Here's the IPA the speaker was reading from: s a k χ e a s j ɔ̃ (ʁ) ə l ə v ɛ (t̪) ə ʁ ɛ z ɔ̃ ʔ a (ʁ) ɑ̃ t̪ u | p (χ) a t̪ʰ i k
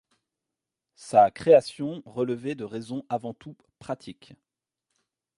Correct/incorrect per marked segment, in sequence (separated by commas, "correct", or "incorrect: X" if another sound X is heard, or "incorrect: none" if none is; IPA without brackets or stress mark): correct, incorrect: d̪, incorrect: v, correct